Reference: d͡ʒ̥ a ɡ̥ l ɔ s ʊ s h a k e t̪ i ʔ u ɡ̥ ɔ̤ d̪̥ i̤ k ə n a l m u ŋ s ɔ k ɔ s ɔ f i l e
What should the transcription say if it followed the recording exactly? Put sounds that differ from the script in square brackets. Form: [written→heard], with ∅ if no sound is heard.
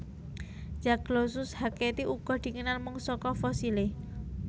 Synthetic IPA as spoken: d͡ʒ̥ a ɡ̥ l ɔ s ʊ s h a k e t̪ i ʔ u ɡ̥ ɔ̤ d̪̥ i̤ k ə n a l m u ŋ s ɔ k ɔ [s→f] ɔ [f→s] i l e